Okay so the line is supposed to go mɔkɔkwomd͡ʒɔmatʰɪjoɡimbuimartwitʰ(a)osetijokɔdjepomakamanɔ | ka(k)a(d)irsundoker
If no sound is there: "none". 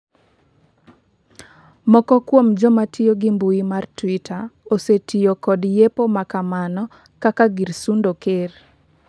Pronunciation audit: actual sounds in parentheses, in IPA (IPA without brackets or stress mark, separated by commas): a, k, ɡ